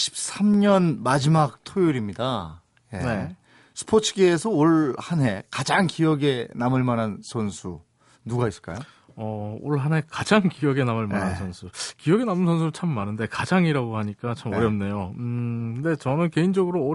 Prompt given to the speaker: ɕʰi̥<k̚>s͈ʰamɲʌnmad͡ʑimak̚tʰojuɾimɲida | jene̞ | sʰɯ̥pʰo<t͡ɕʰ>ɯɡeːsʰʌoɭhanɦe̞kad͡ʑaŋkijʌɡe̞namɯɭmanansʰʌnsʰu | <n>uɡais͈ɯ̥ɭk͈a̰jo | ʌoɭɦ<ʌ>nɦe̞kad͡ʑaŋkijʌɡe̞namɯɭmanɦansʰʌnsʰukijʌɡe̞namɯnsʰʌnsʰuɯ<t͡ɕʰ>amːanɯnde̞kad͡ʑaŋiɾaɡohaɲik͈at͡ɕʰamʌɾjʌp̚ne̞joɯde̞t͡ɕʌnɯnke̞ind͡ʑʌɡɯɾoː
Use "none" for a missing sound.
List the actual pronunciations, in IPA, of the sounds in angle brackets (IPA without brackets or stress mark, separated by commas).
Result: p̚, t͡ɕʰ, n, a, t͡ɕʰ